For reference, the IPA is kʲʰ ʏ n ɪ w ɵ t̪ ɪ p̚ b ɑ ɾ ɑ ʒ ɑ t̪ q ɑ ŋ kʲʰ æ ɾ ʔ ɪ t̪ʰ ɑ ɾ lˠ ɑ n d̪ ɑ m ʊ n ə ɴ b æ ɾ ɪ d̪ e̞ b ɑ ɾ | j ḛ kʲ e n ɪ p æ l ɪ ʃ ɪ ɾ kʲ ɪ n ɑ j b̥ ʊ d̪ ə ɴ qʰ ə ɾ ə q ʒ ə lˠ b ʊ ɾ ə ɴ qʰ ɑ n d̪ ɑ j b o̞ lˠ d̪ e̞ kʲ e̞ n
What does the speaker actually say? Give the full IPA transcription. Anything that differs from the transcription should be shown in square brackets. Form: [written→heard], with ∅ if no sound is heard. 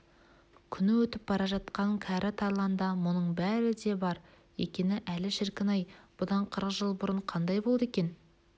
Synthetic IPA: kʲʰ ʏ n ɪ w ɵ t̪ ɪ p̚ b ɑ ɾ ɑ ʒ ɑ t̪ q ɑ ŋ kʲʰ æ ɾ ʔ ɪ t̪ʰ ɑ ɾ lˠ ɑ n d̪ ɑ m ʊ n ə ɴ b æ ɾ ɪ d̪ e̞ b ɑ ɾ | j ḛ kʲ e n ɪ [p→ʔ] æ l ɪ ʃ ɪ ɾ kʲ ɪ n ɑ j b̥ ʊ d̪ [ə→ɑ] ɴ qʰ ə ɾ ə q ʒ ə lˠ b ʊ ɾ ə ɴ qʰ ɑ n d̪ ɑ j b o̞ lˠ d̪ e̞ kʲ e̞ n